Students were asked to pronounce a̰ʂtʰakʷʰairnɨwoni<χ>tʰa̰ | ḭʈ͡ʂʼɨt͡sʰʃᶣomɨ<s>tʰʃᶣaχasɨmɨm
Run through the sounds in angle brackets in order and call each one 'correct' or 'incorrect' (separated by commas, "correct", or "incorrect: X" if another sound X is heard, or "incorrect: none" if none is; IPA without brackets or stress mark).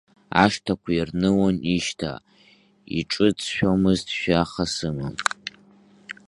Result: incorrect: ʃ, incorrect: z